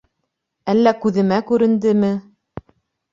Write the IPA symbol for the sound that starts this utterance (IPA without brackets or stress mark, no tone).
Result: æ